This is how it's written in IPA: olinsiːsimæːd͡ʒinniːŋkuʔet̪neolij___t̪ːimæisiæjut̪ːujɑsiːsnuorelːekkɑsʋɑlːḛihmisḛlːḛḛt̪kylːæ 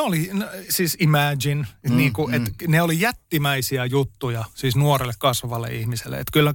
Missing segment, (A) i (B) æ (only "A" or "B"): B